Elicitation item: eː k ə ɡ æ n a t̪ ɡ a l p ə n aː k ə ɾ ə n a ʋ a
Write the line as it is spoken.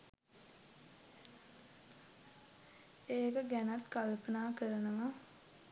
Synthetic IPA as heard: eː k ə ɡ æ n a t̪ k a l p ə n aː k ə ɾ ə n ə ʋ a